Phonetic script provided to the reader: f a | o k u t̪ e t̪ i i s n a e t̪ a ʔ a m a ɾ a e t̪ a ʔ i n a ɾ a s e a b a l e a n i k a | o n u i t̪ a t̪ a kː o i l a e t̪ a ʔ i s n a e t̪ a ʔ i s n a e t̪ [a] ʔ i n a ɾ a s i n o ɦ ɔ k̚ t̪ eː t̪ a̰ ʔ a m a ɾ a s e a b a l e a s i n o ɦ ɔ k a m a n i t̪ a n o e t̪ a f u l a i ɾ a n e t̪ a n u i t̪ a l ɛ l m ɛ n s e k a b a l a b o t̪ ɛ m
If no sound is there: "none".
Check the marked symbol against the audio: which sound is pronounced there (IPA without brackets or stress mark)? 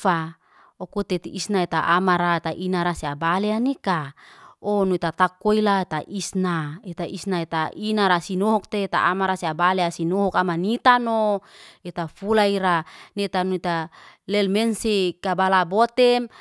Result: a